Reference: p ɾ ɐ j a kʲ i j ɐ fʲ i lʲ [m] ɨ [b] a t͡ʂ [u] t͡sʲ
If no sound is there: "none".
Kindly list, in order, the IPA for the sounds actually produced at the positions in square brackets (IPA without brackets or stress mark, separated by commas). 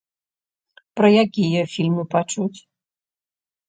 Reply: m, p, u